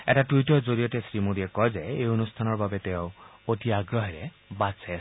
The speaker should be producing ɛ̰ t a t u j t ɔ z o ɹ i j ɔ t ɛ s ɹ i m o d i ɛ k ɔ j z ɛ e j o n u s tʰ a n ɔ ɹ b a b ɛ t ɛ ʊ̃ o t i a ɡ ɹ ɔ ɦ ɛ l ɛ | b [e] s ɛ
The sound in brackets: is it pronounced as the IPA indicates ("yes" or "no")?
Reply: no